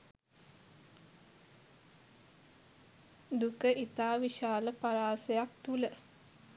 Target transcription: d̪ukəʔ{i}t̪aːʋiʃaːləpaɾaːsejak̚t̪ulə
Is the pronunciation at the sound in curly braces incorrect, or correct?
correct